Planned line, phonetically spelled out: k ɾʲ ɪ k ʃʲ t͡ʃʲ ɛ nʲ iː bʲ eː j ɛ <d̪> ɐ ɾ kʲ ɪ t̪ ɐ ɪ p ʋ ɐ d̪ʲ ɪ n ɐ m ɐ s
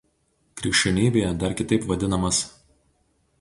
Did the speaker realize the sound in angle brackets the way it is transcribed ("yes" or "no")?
yes